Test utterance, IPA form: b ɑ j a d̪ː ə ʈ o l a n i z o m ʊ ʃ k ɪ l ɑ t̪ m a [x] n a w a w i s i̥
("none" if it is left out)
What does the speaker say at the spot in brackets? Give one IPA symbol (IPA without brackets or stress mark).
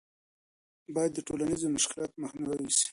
x